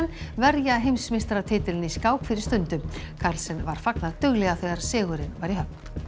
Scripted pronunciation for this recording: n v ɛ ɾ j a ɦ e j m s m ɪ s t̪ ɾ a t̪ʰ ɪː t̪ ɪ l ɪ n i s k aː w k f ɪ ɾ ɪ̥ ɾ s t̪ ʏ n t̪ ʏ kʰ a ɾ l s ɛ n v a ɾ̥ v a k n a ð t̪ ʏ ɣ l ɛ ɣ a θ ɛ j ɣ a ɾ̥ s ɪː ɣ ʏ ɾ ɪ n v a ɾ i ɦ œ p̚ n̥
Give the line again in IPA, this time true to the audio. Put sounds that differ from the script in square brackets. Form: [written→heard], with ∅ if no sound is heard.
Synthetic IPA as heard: n v ɛ ɾ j a ɦ e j m s m ɪ s t̪ ɾ a t̪ʰ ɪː t̪ ɪ l ɪ n i s k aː w k f ɪ ɾ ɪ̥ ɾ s t̪ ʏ n t̪ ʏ kʰ a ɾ l s ɛ n v a ɾ̥ [v→f] a k n a ð t̪ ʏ ɣ l ɛ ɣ a θ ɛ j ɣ a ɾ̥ s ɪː ɣ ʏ ɾ ɪ n v a ɾ i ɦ œ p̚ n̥

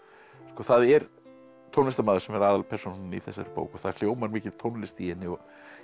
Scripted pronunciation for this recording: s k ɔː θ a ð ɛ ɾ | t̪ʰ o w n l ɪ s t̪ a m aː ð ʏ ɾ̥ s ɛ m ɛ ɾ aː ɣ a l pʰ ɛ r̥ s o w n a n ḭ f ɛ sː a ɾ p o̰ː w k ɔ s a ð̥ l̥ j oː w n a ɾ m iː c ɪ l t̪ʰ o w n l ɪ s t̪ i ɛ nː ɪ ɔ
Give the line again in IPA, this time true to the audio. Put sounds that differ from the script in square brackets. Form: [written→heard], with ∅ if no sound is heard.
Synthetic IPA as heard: s k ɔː θ a ð ɛ ɾ | t̪ʰ o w n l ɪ s t̪ a m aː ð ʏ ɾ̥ s ɛ m ɛ ɾ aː [ɣ→ð] a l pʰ ɛ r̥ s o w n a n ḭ [f→θ] ɛ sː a ɾ p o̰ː w k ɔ [s→θ] a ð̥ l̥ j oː w [n→m] a ɾ m iː c ɪ l t̪ʰ o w n l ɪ s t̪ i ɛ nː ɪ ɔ

